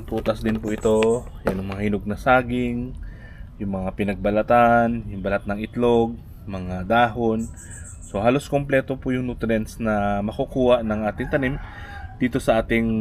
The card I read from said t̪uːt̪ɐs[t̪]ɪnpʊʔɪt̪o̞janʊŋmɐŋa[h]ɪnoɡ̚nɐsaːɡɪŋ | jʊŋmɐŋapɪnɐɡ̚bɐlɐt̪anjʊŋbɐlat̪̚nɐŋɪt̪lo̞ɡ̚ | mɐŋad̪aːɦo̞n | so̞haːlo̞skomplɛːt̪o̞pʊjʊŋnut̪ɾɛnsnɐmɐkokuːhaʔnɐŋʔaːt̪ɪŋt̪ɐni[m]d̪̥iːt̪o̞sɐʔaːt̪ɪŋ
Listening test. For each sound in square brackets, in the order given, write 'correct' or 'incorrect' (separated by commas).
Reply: incorrect, correct, correct